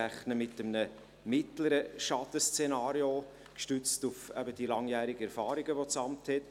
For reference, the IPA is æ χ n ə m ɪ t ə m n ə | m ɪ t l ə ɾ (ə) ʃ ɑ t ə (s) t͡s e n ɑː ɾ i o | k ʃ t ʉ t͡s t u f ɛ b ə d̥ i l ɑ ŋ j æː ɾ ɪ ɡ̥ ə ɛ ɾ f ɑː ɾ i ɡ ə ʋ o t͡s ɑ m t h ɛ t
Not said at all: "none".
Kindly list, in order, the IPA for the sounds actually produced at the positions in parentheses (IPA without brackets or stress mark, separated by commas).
ə, s